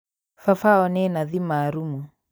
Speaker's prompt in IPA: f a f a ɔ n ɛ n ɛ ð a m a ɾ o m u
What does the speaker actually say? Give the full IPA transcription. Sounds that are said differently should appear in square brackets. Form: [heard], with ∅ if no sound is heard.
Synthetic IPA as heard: f a f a ɔ n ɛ n [a] ð [i] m a ɾ [u] m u